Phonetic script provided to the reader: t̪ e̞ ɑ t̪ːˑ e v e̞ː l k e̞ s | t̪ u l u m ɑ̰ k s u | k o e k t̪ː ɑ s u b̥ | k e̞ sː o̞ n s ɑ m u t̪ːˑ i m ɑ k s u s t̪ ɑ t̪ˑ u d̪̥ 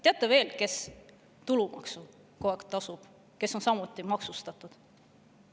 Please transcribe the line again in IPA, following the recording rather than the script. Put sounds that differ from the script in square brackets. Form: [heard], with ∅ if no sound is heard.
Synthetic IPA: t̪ e̞ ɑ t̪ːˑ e v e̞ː l k e̞ s | t̪ u l u m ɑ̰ k s u | k o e k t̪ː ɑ s u b̥ | k e̞ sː o̞ n s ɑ m u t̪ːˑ i m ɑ k s u s t̪ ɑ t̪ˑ u d̪̥